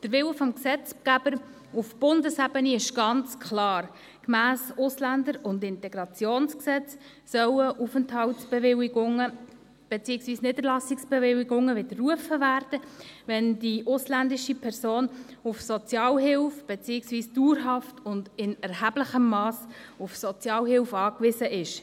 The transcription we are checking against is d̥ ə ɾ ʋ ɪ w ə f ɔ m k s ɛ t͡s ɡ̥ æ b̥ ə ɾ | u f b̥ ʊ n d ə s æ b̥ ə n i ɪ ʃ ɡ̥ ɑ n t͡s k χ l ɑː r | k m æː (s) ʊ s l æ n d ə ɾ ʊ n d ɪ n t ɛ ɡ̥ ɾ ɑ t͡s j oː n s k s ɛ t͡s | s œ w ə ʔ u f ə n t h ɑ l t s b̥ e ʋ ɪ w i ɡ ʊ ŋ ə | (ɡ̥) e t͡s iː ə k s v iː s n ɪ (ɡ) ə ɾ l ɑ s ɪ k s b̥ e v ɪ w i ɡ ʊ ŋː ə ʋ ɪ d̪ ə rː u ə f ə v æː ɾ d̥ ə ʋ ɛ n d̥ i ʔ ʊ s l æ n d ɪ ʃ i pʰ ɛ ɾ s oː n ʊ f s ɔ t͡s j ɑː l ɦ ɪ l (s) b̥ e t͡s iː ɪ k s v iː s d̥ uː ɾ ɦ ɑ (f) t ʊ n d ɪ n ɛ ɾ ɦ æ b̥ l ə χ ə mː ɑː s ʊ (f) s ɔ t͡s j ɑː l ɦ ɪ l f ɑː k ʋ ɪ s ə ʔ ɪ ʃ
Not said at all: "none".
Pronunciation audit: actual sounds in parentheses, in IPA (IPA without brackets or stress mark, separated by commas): s, b̥, d, f, f, f